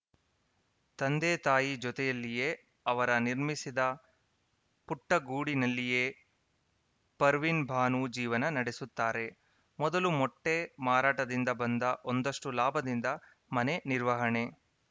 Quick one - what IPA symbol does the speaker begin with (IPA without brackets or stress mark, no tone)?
t̪